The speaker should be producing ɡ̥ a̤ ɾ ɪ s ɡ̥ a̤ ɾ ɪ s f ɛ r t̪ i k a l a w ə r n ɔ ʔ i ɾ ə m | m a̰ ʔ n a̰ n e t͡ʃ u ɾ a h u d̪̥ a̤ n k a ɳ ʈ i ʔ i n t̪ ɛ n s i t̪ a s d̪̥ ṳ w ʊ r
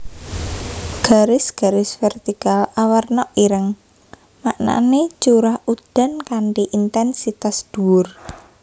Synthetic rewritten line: ɡ̥ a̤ ɾ ɪ s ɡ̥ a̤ ɾ ɪ s f ɛ r t̪ i k a l a w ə r n ɔ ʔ i ɾ ə ŋ | m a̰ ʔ n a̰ n e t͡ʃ u ɾ a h u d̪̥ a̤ n k a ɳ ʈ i ʔ i n t̪ ɛ n s i t̪ a s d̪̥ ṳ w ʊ r